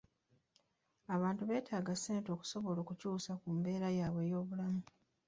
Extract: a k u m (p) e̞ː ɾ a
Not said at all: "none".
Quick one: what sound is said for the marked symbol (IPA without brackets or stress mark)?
b